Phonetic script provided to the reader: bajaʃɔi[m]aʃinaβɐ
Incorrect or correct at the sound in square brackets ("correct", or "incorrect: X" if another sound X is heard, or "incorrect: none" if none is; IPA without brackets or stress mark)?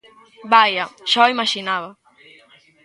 correct